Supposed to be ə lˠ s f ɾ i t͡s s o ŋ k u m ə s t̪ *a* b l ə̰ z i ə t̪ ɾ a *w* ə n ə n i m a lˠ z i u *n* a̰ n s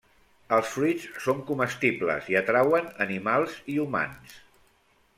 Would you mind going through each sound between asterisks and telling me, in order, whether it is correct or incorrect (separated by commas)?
incorrect, correct, incorrect